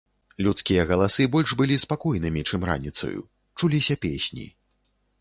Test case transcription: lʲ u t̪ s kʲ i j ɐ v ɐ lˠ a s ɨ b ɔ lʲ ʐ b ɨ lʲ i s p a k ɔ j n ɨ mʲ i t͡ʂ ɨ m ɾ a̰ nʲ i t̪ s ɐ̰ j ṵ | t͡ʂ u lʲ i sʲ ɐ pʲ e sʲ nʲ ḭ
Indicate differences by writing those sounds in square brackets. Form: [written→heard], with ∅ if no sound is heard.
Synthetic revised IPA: lʲ u t̪ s kʲ i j ɐ [v→ɣ] ɐ lˠ a s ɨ b ɔ lʲ ʐ b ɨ lʲ i s p a k ɔ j n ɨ mʲ i t͡ʂ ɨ m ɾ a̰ nʲ i t̪ s ɐ̰ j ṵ | t͡ʂ u lʲ i sʲ ɐ pʲ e sʲ nʲ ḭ